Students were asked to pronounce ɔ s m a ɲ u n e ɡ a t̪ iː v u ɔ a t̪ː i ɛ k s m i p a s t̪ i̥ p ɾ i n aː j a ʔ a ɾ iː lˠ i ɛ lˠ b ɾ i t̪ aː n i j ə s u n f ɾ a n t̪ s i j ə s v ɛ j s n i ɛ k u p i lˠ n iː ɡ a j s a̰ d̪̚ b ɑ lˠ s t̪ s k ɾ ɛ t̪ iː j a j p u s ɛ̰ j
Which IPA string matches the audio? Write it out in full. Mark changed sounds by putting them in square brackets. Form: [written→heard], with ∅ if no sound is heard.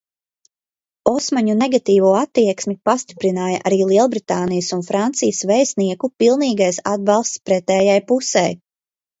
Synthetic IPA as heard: ɔ s m a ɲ u n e ɡ a t̪ iː v u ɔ a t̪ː i ɛ k s m i p a s t̪ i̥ p ɾ i n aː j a ʔ a ɾ iː lˠ i ɛ lˠ b ɾ i t̪ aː n i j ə s u n f ɾ a n t̪ s i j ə s v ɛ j s n i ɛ k u p i lˠ n iː ɡ a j s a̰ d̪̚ b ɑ lˠ s t̪ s [k→p] ɾ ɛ t̪ [iː→ɛː] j a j p u s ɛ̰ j